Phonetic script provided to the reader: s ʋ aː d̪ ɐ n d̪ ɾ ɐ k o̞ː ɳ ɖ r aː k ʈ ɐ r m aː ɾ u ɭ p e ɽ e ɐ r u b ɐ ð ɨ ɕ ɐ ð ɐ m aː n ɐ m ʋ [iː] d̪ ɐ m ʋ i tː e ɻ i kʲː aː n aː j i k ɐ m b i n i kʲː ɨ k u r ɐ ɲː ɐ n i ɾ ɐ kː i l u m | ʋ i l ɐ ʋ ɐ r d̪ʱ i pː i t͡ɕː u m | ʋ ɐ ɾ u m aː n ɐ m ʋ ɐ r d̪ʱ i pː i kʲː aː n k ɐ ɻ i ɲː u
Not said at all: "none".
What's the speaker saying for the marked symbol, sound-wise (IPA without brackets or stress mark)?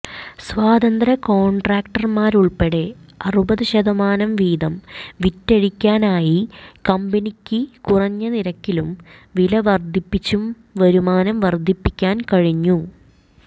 iː